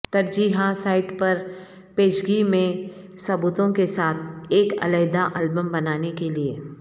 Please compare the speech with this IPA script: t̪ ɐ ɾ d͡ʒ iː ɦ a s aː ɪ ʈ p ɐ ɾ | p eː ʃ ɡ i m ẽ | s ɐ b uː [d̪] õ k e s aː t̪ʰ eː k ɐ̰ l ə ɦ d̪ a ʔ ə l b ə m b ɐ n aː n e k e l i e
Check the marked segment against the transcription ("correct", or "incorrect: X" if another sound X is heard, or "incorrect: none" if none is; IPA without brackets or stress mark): incorrect: t̪